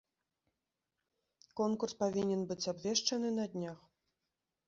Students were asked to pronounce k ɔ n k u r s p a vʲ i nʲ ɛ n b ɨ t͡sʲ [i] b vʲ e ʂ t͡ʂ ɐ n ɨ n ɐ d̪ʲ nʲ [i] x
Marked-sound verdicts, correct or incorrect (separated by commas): incorrect, incorrect